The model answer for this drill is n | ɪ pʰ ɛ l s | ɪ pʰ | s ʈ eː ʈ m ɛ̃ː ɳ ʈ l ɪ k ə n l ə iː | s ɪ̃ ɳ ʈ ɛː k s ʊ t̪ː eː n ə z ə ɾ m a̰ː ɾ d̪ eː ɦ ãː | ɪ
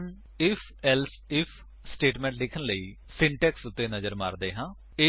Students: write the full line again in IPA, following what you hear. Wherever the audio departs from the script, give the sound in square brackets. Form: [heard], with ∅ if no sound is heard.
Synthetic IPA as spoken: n | ɪ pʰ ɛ l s | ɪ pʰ | s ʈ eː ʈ m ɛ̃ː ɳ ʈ l ɪ [kʰ] ə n l ə iː | s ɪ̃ ɳ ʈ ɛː k s ʊ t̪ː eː n ə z ə ɾ m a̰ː ɾ d̪ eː ɦ ãː | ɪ